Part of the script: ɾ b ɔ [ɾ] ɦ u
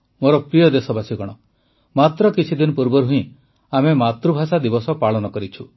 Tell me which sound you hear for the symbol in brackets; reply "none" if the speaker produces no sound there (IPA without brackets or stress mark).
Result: ɾ